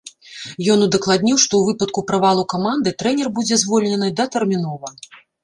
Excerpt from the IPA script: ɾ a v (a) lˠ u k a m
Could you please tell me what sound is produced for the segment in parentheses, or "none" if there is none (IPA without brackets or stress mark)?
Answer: a